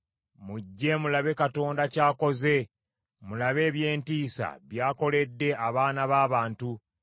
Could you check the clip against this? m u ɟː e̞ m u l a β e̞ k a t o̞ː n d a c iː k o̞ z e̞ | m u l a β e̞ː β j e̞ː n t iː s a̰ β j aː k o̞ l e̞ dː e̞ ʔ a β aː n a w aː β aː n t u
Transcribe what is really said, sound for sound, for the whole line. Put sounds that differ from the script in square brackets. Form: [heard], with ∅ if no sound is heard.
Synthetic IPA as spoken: m u ɟː e̞ m u l a β e̞ k a t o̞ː n d a c [aː] k o̞ z e̞ | m u l a β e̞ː β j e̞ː n t iː s a̰ β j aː k o̞ l e̞ dː e̞ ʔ a β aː n a [β] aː β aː n t u